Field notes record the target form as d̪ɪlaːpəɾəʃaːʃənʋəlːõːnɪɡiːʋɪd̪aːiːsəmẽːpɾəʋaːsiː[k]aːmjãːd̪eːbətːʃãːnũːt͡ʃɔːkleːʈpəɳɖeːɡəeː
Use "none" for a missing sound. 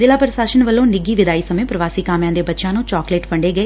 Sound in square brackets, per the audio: k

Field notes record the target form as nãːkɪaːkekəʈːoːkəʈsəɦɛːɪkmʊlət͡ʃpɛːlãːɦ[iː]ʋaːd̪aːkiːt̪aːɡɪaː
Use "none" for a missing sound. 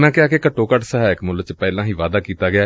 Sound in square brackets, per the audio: iː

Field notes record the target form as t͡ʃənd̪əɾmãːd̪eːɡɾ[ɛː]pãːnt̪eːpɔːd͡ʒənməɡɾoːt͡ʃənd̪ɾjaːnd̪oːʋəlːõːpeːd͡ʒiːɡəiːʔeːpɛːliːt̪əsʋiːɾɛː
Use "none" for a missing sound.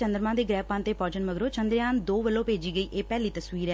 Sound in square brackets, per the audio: ɛː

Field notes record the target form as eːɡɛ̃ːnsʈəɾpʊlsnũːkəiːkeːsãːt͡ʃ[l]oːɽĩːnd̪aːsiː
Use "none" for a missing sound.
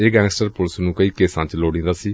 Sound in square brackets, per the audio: l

